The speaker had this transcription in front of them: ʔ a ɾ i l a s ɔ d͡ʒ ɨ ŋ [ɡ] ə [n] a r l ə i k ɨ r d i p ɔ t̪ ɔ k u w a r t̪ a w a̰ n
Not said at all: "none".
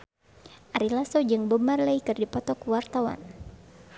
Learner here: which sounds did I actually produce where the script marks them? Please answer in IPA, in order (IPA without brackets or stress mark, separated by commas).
b, m